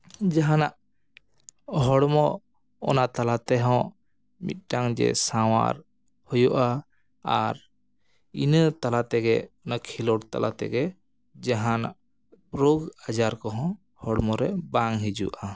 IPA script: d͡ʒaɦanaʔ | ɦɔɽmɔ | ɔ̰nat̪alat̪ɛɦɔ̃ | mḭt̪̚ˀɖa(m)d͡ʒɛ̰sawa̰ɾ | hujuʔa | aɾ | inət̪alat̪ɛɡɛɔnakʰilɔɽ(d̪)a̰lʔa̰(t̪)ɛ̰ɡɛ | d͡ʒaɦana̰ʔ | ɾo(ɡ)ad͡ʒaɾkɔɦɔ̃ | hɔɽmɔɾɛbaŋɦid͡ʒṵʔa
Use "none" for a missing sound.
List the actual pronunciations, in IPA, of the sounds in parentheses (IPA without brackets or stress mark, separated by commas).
ŋ, t̪, t̪, ɡ